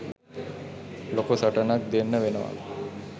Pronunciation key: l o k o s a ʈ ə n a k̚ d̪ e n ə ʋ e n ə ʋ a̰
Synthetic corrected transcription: l o k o s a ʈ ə n a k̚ d̪ e nː ə ʋ e n ə ʋ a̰